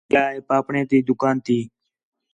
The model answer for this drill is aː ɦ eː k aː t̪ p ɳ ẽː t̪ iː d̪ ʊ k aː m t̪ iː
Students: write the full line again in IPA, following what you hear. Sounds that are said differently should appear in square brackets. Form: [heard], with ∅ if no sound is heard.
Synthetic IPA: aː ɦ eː [p] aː [∅] p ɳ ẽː t̪ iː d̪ ʊ k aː [n] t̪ iː